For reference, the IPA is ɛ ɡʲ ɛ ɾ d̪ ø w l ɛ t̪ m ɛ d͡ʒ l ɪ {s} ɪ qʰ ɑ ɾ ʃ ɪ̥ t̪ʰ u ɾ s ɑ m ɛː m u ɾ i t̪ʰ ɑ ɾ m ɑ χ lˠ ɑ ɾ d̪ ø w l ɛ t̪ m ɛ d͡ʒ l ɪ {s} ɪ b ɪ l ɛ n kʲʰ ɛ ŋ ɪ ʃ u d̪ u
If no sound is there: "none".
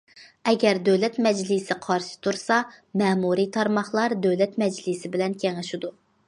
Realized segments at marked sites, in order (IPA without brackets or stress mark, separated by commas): s, s